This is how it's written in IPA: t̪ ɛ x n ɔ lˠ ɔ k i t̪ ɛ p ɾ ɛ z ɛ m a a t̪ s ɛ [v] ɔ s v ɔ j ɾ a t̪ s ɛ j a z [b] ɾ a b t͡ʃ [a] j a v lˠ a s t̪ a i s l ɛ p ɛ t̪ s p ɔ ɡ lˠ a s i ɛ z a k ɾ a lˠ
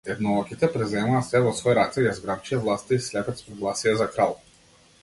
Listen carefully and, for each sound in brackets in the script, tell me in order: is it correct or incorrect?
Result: correct, incorrect: ɡ, incorrect: i

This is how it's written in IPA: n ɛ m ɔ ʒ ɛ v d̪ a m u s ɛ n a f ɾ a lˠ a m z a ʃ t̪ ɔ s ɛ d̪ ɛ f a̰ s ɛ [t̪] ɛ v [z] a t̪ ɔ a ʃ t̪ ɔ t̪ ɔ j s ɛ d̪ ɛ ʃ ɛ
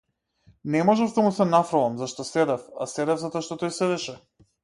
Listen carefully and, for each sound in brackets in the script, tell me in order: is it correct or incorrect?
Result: incorrect: d̪, correct

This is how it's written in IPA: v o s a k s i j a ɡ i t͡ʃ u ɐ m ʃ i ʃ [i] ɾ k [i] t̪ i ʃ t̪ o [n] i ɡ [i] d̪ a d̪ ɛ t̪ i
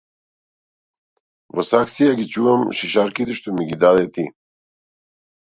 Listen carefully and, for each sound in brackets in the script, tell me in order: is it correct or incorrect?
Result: incorrect: a, correct, incorrect: m, correct

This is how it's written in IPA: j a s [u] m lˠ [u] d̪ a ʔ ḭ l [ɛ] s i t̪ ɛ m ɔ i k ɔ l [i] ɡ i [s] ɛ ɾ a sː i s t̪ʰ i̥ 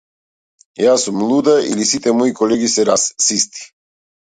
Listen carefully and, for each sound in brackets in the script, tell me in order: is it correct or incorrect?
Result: correct, correct, incorrect: i, incorrect: ɛ, correct

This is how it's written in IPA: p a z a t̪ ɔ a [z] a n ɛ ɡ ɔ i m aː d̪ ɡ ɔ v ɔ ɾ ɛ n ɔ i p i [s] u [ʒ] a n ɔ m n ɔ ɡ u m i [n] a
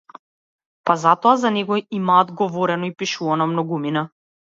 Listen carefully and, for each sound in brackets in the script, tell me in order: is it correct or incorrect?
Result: correct, incorrect: ʃ, incorrect: v, correct

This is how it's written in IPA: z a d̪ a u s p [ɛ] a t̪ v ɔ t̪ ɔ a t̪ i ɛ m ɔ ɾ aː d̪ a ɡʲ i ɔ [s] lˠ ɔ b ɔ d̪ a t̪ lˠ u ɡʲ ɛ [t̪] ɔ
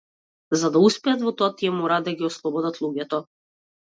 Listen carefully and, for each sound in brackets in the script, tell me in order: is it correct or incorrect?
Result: correct, correct, correct

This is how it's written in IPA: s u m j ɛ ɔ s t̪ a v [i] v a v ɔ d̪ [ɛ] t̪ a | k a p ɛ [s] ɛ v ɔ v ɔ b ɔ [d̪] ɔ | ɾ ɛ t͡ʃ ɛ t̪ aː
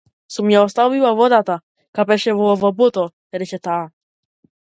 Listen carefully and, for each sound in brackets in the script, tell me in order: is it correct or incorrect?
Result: correct, incorrect: a, incorrect: ʃ, incorrect: t̪

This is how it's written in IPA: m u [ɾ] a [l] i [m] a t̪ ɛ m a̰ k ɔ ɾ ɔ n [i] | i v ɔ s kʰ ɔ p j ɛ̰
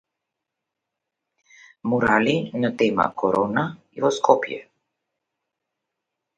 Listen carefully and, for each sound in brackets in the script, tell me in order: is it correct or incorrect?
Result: correct, correct, incorrect: n, incorrect: a

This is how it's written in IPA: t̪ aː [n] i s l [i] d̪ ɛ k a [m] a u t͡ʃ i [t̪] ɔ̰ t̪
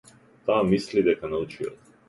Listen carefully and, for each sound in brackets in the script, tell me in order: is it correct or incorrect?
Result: incorrect: m, correct, incorrect: n, incorrect: none

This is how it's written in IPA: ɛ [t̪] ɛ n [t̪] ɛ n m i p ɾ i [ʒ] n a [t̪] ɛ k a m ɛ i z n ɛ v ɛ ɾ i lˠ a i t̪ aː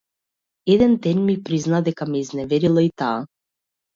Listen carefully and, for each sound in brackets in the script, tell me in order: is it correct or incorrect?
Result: incorrect: d̪, incorrect: d̪, incorrect: z, incorrect: d̪

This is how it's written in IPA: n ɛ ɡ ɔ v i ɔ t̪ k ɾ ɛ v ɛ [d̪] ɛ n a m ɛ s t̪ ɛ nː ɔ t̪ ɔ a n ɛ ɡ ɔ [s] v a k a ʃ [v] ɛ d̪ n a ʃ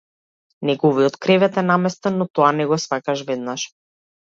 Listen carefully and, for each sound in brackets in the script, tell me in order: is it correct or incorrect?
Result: incorrect: t̪, correct, correct

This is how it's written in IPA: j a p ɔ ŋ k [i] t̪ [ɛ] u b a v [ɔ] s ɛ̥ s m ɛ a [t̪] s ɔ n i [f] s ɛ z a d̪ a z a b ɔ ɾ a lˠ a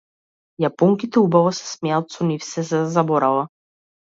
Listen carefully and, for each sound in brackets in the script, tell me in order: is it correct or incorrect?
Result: correct, correct, correct, correct, correct

